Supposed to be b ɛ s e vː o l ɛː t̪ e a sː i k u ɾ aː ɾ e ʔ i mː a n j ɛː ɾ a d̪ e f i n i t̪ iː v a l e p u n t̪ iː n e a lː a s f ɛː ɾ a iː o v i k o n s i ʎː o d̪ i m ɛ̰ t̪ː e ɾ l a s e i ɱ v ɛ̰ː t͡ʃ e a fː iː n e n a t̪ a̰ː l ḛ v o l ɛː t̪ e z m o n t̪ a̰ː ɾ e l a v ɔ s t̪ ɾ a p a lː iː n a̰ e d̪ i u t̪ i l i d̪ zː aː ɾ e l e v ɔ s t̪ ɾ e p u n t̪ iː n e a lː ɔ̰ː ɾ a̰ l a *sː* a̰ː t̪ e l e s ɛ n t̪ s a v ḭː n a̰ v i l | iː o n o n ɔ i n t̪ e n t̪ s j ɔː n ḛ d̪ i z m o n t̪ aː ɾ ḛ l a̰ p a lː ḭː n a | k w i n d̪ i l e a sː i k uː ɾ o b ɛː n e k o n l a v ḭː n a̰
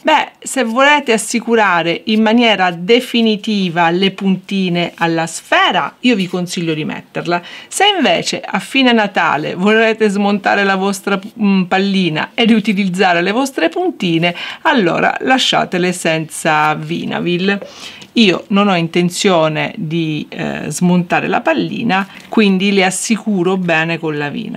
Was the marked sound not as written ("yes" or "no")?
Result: yes